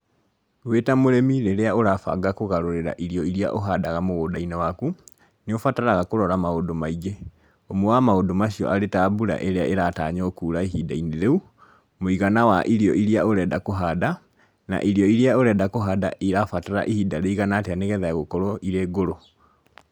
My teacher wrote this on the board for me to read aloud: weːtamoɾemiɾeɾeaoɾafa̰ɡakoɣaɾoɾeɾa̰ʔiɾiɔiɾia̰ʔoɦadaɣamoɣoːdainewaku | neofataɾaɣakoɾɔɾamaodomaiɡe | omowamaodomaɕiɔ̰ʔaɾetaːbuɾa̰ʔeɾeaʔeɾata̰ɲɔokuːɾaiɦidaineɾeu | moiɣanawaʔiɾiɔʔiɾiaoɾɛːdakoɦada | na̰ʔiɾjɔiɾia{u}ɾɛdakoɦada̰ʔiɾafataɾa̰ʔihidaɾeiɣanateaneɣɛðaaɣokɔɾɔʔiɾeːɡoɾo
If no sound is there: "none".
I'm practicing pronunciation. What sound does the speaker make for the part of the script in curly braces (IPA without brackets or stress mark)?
o